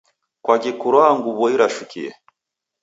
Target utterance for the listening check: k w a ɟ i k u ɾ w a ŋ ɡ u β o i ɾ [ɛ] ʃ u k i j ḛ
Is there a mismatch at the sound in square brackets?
yes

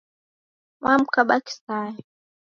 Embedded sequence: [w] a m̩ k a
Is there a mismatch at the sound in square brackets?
no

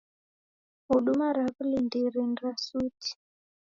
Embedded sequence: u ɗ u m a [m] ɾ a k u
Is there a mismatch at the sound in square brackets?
yes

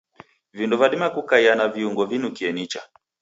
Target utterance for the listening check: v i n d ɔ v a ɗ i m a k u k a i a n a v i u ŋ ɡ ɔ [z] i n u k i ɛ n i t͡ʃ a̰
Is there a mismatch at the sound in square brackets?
yes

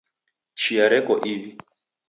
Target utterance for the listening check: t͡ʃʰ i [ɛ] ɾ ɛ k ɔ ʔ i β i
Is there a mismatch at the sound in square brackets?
yes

